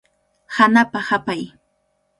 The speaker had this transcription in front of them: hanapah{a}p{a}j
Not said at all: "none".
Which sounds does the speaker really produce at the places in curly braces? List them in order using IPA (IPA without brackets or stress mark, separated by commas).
a, a